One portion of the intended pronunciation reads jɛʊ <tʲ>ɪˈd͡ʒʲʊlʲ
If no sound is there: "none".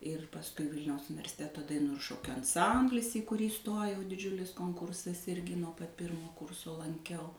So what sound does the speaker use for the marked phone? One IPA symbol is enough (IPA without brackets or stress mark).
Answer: dʲ